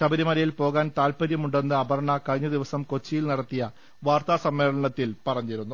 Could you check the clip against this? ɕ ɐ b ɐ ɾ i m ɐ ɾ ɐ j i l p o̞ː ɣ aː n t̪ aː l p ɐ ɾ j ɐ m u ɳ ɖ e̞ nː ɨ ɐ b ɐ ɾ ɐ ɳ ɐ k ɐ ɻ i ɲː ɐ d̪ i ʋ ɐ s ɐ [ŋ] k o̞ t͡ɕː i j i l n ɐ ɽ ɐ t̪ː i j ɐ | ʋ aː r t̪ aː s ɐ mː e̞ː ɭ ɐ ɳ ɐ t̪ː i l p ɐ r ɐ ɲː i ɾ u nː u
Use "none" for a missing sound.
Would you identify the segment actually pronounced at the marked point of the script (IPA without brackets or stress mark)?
m